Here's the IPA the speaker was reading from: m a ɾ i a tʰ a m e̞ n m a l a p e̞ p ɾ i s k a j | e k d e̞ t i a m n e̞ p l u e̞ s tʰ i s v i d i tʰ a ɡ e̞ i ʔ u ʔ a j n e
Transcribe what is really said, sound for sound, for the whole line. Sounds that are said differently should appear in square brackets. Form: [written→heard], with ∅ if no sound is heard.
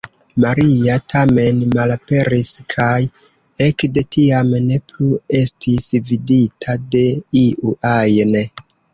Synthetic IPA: m a ɾ i a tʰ a m e̞ n m a l a p e̞ [p→∅] ɾ i s [k→kʰ] a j | e k d e̞ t i a m n e̞ p l u e̞ s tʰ i s v i d i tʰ a [ɡ→d] e̞ i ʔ u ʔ a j n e